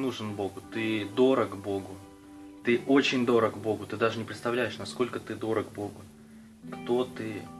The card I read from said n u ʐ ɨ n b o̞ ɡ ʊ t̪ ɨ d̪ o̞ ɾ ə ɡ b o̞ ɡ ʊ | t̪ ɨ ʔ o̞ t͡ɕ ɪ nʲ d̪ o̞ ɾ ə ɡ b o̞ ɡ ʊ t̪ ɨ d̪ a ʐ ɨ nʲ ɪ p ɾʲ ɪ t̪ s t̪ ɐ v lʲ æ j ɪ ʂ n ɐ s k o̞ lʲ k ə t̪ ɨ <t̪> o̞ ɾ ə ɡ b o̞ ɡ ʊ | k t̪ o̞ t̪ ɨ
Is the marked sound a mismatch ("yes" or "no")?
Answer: yes